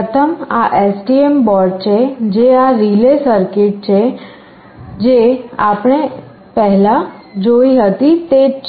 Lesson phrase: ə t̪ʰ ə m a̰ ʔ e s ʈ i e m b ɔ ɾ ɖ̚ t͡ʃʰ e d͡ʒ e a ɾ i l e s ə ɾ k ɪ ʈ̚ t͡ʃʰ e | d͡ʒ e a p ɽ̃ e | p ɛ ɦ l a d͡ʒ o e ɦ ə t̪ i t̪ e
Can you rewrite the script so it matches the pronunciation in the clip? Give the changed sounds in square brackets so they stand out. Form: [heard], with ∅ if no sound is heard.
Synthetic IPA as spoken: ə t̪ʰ ə m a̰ ʔ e s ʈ i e m b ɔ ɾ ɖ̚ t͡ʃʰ e d͡ʒ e a ɾ i l e s ə ɾ k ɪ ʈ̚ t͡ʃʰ e | d͡ʒ e a p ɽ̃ e | p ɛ ɦ l a d͡ʒ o [i] ɦ ə t̪ i t̪ e